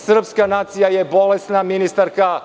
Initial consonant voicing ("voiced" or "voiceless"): voiceless